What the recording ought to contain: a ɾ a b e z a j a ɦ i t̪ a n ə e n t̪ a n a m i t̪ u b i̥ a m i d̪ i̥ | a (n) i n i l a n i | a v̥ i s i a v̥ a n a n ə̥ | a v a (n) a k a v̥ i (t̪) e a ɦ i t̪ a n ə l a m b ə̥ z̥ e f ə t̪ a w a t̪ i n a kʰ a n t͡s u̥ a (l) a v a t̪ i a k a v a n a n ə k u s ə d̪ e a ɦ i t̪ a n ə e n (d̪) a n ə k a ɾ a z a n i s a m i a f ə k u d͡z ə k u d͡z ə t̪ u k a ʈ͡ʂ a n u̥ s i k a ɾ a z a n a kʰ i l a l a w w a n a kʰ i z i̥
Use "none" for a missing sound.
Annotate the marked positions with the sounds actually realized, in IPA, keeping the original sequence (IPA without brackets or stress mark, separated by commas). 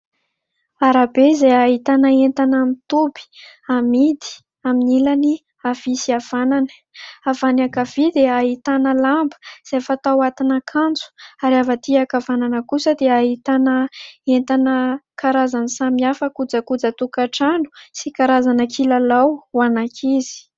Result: m, n, d̪, ɾ, t̪